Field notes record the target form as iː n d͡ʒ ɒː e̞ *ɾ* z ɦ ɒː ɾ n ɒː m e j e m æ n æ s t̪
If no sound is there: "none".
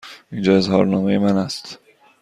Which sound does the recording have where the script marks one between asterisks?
none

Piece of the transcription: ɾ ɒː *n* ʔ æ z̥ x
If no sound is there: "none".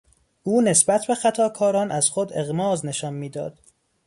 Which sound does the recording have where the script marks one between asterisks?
n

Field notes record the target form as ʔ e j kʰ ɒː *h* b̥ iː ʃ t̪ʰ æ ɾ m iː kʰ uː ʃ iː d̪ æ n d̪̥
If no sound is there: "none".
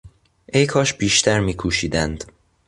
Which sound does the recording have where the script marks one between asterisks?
ʃ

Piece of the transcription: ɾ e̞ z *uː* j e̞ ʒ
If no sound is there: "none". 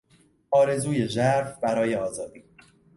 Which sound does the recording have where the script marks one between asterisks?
uː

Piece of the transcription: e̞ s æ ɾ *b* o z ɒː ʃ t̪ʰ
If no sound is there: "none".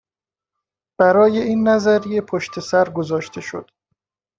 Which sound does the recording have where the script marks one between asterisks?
ɡ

